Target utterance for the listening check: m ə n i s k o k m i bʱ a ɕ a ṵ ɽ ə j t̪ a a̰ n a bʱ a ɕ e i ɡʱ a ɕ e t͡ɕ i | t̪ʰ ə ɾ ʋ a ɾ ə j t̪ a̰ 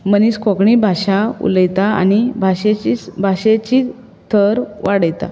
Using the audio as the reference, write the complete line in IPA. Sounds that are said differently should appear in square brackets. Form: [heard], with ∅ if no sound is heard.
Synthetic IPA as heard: m ə n i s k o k [ɳ] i bʱ a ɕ a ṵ [l] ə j t̪ a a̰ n [i] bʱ a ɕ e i [bʱ] a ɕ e t͡ɕ i | t̪ʰ ə ɾ ʋ a [ɽ] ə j t̪ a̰

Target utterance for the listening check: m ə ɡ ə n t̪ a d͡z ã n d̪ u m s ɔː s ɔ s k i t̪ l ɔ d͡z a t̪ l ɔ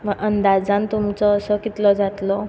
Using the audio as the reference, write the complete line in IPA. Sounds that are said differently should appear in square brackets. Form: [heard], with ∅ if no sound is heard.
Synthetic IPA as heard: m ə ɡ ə n [d̪] a d͡z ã n [t̪] u m [t͡s] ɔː s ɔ [∅] k i t̪ l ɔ d͡z a t̪ l ɔ

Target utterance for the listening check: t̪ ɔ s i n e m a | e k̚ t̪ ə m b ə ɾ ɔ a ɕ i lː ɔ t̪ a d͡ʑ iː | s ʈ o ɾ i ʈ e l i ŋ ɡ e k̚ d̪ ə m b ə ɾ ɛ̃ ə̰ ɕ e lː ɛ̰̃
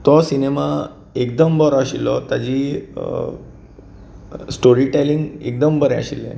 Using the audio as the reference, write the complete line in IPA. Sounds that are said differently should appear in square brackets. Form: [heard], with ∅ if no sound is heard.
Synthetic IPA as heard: t̪ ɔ s i n e m a | e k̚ [d̪] ə m b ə ɾ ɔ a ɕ i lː ɔ t̪ a d͡ʑ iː | s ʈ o ɾ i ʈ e l i ŋ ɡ e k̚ d̪ ə m b ə ɾ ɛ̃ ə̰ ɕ [i] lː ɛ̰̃

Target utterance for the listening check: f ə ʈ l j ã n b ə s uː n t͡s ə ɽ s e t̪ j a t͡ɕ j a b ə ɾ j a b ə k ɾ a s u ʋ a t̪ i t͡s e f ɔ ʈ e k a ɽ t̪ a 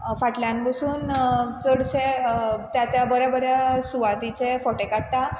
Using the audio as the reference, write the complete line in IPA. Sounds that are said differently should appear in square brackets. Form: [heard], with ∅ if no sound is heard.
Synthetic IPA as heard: f [a] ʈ l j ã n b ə s uː n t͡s ə ɽ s e t̪ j a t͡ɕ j a b ə ɾ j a b ə [∅] ɾ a s u ʋ a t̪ i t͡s e f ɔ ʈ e k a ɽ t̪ a

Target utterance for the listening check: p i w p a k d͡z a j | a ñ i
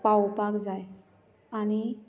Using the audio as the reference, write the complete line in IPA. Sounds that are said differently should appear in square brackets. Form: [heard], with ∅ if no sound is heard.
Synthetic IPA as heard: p [a] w p a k d͡z a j | a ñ i

